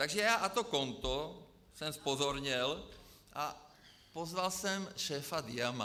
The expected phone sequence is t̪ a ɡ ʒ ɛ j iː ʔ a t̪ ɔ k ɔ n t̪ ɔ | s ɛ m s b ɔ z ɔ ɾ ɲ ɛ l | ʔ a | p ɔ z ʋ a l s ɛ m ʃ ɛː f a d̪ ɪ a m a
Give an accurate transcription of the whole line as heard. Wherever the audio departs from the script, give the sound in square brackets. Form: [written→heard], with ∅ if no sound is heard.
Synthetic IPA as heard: t̪ a ɡ ʒ ɛ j [iː→aː] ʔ a t̪ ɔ k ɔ n t̪ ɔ | s ɛ m s [b→p] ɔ z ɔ ɾ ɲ ɛ l | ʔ a | p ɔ z ʋ a l s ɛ m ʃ ɛː f a d̪ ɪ a m a